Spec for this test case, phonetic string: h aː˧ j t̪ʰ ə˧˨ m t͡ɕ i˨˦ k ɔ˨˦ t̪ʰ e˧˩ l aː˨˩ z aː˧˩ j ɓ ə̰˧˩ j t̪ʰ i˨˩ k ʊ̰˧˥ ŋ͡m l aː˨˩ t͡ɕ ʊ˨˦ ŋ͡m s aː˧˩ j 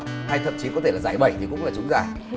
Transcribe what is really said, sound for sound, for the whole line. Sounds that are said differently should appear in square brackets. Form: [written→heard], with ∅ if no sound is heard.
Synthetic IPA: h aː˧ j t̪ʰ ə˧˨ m t͡ɕ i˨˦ k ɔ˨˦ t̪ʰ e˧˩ l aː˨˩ z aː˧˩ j ɓ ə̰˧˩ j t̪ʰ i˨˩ k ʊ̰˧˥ ŋ͡m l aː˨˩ t͡ɕ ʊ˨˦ ŋ͡m [s→z] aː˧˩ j

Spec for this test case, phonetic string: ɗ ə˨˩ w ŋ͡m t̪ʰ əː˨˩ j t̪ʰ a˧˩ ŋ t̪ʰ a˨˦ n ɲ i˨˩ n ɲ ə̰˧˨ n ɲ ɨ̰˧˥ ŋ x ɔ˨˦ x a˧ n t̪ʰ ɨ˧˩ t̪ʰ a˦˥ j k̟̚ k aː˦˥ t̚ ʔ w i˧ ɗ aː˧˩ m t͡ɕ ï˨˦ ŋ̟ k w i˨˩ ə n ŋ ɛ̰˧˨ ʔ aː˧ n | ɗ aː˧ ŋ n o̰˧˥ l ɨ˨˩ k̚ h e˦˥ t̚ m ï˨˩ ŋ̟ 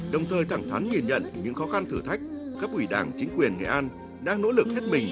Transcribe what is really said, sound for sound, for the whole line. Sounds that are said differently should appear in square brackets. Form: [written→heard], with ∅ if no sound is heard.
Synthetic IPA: ɗ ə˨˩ w ŋ͡m t̪ʰ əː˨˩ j t̪ʰ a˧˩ ŋ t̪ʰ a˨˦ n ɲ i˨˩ n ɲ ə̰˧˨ n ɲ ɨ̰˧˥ ŋ x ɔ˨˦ x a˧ n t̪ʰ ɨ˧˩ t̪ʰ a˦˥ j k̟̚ k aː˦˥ [t̚→k̚] ʔ w [i˧→i˧˩] ɗ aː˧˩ [m→ŋ] t͡ɕ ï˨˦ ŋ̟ k w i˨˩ ə n ŋ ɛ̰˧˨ ʔ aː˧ n | ɗ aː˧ ŋ n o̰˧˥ l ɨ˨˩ k̚ h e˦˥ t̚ m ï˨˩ ŋ̟

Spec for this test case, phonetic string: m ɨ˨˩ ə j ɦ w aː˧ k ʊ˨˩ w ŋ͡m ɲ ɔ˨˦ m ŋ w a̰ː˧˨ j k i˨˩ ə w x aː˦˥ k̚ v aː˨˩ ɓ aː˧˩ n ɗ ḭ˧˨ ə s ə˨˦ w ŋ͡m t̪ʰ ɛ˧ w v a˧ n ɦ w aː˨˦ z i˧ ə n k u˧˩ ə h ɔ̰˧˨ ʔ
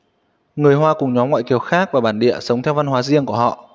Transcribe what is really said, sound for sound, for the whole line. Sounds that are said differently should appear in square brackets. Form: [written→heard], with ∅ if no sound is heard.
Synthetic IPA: [m→ŋ] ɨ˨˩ ə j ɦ w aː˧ k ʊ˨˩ [w→∅] ŋ͡m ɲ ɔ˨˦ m ŋ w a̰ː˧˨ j k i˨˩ ə w x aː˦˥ k̚ v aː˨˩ ɓ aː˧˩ n ɗ ḭ˧˨ ə s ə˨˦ w ŋ͡m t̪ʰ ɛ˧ w v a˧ n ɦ w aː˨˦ z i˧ ə [n→ŋ] k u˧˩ ə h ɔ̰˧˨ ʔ

